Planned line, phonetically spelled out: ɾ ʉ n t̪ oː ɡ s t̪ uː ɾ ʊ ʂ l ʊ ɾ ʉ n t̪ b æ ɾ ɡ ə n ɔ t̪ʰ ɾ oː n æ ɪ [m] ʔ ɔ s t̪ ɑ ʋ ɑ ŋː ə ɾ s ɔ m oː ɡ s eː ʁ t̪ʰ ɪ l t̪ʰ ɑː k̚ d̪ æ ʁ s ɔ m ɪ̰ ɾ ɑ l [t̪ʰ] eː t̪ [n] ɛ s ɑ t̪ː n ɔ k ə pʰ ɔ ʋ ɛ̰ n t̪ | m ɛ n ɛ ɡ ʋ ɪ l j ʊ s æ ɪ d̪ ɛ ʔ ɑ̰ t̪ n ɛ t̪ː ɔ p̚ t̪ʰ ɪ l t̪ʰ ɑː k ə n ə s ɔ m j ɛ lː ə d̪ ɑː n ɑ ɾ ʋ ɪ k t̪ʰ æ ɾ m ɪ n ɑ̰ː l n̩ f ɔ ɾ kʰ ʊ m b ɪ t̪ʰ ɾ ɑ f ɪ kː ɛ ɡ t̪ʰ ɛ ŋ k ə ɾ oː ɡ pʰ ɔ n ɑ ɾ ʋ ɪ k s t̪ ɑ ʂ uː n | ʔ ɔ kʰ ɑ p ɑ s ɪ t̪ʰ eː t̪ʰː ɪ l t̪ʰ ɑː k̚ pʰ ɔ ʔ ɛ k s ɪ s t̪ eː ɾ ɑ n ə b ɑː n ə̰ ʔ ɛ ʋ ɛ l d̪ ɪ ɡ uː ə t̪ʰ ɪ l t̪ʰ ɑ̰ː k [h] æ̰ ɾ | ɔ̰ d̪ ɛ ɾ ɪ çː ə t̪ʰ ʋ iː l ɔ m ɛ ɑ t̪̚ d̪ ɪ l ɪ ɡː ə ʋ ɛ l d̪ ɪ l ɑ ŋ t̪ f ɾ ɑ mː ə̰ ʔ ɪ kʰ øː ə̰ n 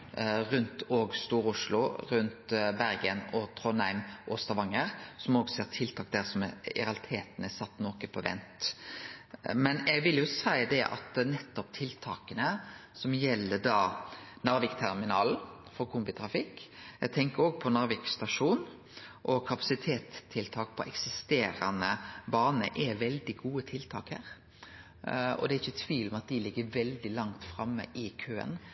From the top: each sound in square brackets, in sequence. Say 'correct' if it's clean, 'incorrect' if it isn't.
correct, correct, correct, correct

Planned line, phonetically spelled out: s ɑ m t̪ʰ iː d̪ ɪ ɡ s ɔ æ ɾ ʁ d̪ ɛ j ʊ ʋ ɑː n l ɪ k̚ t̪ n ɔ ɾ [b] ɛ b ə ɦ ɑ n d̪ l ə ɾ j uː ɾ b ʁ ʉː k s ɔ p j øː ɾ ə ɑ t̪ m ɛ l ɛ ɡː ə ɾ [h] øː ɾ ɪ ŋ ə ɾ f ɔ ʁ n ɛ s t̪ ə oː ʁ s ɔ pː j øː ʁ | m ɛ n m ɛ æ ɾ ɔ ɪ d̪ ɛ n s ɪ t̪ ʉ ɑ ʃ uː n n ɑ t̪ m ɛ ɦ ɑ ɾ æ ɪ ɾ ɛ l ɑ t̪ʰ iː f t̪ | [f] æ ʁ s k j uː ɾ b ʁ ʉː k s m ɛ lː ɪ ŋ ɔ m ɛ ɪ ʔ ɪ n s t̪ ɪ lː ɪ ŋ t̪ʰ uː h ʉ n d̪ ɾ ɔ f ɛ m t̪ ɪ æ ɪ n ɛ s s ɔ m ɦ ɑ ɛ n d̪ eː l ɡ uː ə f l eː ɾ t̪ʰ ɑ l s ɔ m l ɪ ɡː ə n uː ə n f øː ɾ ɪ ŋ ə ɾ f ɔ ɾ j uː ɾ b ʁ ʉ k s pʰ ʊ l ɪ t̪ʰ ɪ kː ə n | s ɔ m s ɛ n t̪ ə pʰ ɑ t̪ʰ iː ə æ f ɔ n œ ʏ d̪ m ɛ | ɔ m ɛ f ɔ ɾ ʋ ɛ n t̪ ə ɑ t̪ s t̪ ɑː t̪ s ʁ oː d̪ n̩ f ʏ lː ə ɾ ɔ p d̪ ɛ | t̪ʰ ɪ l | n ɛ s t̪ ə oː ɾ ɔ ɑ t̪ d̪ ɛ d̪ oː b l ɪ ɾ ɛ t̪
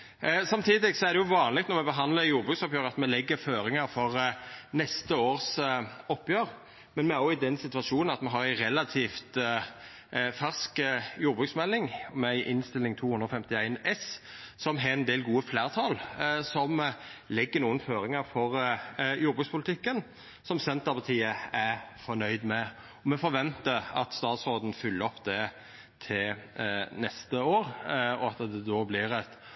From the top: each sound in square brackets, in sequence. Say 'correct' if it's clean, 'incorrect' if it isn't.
incorrect, incorrect, correct

